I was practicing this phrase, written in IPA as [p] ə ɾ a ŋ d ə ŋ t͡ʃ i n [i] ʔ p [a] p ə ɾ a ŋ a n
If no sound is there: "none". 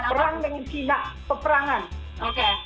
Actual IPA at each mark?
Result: p, a, ə

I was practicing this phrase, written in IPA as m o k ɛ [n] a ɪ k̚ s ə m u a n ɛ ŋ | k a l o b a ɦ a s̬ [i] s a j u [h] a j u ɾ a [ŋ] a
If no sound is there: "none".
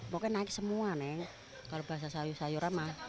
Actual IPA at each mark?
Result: n, a, s, m

